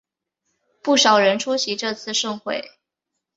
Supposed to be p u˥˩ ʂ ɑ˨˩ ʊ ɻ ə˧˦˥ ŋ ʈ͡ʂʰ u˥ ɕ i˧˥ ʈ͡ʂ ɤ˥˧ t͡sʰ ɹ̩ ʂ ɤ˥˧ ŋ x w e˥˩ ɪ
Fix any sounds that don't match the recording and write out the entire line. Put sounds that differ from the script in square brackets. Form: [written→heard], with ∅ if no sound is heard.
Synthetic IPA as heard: p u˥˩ ʂ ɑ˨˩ ʊ ɻ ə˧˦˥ [ŋ→n] ʈ͡ʂʰ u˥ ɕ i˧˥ ʈ͡ʂ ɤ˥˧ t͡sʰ ɹ̩ ʂ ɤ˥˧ ŋ x w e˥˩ ɪ